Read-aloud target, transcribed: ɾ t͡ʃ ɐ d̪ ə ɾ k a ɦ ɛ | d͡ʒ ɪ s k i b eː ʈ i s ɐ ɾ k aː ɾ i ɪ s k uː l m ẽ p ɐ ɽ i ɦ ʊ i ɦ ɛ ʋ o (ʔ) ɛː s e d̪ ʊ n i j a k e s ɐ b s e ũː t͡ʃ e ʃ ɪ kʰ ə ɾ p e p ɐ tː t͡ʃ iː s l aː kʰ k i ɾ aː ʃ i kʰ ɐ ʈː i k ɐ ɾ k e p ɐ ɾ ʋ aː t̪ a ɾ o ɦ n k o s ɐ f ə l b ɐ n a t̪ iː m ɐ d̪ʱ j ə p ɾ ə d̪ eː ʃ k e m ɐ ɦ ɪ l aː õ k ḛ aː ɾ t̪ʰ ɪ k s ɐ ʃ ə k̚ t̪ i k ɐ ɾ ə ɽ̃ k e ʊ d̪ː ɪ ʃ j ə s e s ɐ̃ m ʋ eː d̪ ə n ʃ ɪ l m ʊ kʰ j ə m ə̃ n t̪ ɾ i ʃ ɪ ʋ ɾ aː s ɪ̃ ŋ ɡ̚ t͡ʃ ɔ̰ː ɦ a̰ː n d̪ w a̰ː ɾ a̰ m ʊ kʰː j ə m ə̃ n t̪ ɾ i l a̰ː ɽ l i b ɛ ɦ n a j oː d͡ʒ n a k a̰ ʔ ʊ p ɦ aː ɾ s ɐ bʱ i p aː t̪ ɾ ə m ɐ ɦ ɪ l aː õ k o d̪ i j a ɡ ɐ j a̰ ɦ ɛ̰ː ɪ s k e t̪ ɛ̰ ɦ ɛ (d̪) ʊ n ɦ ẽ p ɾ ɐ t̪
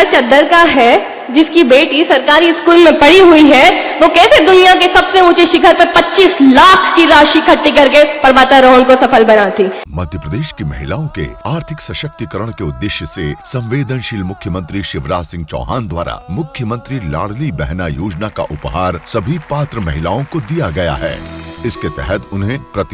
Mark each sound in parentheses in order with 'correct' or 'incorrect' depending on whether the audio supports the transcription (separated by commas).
incorrect, incorrect